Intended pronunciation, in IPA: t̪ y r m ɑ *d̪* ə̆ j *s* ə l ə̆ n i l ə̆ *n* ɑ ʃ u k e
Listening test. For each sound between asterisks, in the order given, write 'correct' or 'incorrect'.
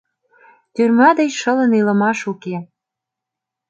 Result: correct, incorrect: ʃ, incorrect: m

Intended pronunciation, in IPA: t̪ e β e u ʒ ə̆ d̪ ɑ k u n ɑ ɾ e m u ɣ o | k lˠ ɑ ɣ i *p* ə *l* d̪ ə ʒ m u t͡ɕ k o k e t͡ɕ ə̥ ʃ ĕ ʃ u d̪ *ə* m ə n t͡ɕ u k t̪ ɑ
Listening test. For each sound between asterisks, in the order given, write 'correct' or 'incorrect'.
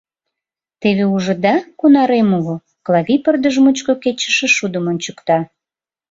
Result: correct, incorrect: r, correct

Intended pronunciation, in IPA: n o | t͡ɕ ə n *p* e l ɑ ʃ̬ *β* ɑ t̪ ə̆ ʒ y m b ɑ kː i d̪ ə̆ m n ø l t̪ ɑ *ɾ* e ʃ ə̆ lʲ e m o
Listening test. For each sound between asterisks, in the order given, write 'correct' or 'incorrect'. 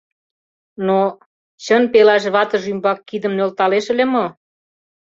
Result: correct, correct, incorrect: l

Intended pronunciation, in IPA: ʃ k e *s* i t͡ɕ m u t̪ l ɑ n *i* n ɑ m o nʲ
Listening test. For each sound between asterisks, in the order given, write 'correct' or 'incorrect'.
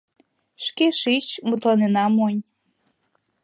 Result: incorrect: ʃ, incorrect: e

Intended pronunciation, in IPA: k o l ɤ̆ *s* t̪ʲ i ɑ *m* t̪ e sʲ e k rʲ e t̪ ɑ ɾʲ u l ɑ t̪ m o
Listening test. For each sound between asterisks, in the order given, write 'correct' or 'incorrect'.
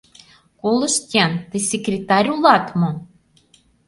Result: incorrect: ʃ, incorrect: n

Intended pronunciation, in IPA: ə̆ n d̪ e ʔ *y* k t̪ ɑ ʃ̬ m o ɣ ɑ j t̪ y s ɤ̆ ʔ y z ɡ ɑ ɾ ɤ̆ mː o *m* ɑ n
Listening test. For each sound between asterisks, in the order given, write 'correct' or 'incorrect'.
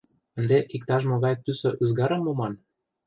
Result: incorrect: i, correct

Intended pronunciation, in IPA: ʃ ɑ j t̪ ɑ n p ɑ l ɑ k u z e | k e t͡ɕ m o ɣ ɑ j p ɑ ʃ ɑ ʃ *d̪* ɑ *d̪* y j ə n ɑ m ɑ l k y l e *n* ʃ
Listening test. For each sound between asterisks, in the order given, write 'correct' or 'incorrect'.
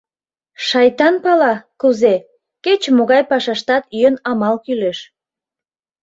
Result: incorrect: t̪, incorrect: t̪, incorrect: none

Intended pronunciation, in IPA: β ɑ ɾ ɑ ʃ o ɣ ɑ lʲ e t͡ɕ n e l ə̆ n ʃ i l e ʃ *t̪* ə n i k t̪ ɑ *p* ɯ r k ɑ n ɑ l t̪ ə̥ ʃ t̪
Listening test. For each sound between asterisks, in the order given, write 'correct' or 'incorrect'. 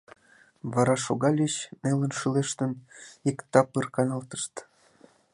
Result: correct, correct

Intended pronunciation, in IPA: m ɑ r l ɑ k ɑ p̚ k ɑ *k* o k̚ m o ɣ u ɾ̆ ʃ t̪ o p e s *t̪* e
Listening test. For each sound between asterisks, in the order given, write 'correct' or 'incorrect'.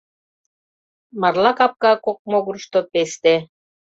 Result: correct, correct

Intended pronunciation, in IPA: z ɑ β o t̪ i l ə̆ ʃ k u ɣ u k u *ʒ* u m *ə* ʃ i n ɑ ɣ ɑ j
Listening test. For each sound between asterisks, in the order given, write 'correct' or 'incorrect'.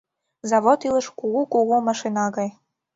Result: incorrect: ɣ, incorrect: ɑ

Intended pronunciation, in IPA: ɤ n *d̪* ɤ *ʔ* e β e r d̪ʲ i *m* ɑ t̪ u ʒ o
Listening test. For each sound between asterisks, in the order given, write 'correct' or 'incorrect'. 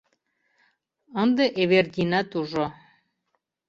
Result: correct, correct, incorrect: n

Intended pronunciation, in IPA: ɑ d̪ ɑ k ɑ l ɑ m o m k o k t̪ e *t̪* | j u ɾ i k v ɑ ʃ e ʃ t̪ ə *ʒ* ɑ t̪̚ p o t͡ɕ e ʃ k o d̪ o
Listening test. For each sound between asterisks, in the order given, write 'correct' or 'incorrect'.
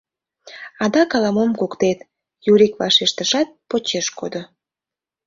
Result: correct, incorrect: ʃ

